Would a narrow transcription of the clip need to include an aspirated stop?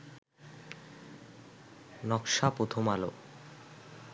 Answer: yes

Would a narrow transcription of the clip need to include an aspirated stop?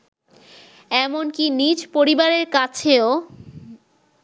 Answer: yes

